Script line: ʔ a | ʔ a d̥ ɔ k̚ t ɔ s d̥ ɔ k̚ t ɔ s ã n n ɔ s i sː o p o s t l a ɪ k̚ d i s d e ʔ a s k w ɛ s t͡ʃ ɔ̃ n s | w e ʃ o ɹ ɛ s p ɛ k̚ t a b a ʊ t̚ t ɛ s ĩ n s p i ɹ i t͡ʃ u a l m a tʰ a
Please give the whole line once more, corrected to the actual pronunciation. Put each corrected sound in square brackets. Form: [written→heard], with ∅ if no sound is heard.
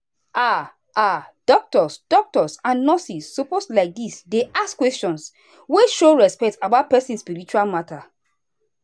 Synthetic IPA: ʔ a | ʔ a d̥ ɔ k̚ t ɔ s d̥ ɔ k̚ t ɔ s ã n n ɔ s i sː o p o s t l a ɪ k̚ d i s d e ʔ a s k w ɛ s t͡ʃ ɔ̃ n s | w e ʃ o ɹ ɛ s p ɛ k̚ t a b a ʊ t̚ [t→p] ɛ s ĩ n s p i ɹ i t͡ʃ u a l m a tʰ a

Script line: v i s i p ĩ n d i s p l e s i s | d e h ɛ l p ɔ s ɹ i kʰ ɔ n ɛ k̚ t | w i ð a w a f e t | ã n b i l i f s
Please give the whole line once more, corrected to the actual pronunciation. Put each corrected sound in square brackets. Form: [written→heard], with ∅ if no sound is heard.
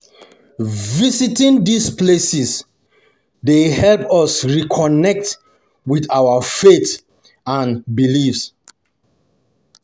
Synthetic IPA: v i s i [p→t] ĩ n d i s p l e s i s | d e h ɛ l p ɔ s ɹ i kʰ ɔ n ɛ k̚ t | w i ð a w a f e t | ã n b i l i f s

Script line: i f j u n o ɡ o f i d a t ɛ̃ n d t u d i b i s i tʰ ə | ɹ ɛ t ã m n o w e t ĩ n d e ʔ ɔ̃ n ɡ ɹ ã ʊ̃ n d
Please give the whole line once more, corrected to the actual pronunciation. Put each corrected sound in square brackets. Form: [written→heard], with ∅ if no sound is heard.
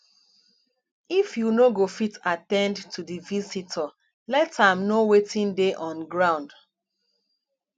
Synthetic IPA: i f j u n o ɡ o f i [d→t] a t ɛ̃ n d t u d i [b→v] i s i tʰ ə | [ɹ→l] ɛ t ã m n o w e t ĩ n d e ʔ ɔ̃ n ɡ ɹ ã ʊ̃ n d

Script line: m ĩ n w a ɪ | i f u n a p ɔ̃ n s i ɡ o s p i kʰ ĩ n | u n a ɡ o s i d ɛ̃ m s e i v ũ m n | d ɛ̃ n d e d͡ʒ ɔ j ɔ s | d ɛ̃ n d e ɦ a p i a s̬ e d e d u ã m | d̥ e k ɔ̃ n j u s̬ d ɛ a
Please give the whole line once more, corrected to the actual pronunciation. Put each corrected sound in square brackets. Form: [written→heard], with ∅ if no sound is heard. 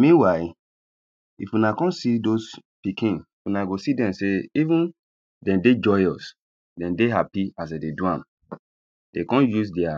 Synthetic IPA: m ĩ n w a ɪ | i f u n a [p→k] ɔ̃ n s i [ɡ→d] o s p i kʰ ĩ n | u n a ɡ o s i d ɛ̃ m s e i v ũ [m→∅] n | d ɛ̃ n d e d͡ʒ ɔ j ɔ s | d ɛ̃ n d e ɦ a p i a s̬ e d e d u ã m | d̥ e k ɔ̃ n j u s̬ d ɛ a

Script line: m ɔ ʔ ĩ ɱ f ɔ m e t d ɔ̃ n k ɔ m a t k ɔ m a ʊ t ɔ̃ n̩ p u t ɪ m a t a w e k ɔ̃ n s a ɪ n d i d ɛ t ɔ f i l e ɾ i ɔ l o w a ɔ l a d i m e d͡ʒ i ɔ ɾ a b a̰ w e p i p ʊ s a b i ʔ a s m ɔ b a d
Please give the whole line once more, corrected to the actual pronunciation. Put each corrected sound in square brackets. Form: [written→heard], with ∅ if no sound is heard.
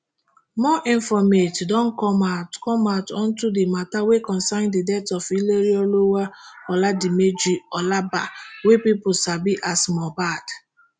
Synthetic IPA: m ɔ ʔ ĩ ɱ f ɔ m e t d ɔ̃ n k ɔ m a t k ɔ m a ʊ t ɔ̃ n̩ [p→t] u [t→d] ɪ m a t a w e k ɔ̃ n s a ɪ n d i d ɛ t ɔ f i l e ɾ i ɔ l o w a ɔ l a d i m e d͡ʒ i ɔ [ɾ→l] a b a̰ w e p i p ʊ s a b i ʔ a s m ɔ b a d

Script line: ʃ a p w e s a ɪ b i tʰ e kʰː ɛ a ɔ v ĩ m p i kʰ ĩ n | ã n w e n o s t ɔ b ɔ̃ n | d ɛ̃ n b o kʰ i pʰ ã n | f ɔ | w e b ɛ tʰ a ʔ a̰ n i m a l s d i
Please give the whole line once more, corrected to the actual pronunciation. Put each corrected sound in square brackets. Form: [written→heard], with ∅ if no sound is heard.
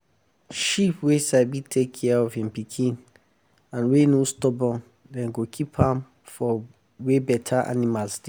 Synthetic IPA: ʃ [a→i] p w e s a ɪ b i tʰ e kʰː ɛ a ɔ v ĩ m p i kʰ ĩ n | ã n w e n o s t ɔ b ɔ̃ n | d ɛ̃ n [b→ɡ] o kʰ i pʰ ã [n→m] | f ɔ | w e b ɛ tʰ a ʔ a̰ n i m a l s d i

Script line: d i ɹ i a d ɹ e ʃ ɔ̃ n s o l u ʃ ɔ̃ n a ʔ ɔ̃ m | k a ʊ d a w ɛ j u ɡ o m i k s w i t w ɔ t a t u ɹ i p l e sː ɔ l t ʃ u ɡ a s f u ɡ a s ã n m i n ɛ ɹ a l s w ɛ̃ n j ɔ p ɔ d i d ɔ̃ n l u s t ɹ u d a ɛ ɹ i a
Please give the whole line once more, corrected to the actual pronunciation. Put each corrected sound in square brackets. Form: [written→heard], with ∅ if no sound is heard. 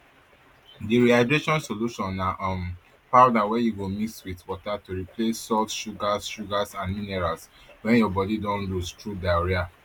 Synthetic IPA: d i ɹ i a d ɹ e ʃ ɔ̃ n s o l u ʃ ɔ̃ n a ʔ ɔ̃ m | [k→p] a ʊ d a w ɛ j u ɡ o m i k s w i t w ɔ t a t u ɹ i p l e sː ɔ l t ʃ u ɡ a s [f→ʃ] u ɡ a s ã n m i n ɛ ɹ a l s w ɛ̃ n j ɔ [p→b] ɔ d i d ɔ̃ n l u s t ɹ u d a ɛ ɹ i a

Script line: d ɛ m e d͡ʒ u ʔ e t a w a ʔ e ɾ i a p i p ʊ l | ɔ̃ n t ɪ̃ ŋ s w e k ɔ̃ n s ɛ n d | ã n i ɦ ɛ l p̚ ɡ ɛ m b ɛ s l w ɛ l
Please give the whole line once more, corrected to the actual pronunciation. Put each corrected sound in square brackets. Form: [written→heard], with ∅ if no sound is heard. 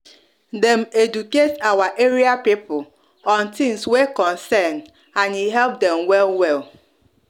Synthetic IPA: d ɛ m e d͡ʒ u [ʔ→k] e t a w a ʔ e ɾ i a p i p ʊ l | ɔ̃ n t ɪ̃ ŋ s w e k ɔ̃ n s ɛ n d | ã n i ɦ ɛ l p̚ [ɡ→d] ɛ m [b→w] ɛ [s→∅] l w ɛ l

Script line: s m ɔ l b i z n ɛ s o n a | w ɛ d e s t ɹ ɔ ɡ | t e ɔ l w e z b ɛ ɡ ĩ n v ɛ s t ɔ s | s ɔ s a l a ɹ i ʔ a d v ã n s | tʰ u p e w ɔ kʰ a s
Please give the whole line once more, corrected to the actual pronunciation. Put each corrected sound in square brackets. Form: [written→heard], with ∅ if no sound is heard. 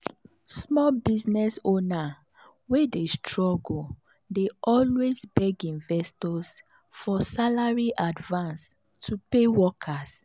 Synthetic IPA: s m ɔ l b i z n ɛ s o n a | w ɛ d e s t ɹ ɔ ɡ | [t→d] e ɔ l w e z b ɛ ɡ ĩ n v ɛ s t ɔ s | [s→f] ɔ s a l a ɹ i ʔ a d v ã n s | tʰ u p e w ɔ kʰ a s

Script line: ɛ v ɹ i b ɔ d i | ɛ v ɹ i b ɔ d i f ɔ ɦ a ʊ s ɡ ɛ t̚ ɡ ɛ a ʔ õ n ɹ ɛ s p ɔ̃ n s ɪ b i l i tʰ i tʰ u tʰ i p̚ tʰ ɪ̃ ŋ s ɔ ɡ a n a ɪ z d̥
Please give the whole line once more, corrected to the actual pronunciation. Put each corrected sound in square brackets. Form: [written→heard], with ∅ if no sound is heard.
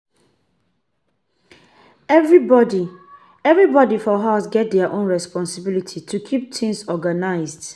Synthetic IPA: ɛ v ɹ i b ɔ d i | ɛ v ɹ i b ɔ d i f ɔ ɦ a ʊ s ɡ ɛ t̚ [ɡ→d] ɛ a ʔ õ n ɹ ɛ s p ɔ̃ n s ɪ b i l i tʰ i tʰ u [tʰ→kʰ] i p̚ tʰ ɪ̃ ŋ s ɔ ɡ a n a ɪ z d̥

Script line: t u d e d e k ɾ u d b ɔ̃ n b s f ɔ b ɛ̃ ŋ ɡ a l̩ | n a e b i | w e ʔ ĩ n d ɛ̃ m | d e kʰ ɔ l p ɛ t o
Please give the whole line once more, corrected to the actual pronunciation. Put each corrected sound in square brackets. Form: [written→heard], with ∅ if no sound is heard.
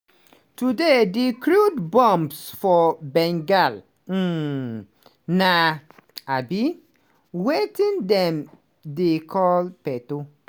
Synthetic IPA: t u d e d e k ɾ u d b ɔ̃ [n→m] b s f ɔ b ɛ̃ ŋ ɡ a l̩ | n a [e→a] b i | w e [ʔ→t] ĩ n d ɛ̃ m | d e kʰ ɔ l p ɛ t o

